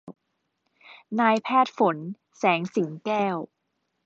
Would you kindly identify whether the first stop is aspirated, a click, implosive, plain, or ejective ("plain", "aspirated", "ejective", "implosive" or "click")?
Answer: aspirated